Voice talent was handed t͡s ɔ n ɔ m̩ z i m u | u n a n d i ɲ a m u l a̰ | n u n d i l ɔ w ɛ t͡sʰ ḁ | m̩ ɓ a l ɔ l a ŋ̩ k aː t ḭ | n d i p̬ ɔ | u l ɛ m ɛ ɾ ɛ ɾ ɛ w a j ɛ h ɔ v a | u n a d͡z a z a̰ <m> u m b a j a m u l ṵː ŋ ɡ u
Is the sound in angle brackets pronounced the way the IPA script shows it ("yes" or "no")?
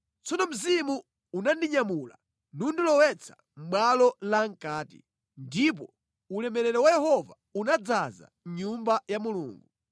no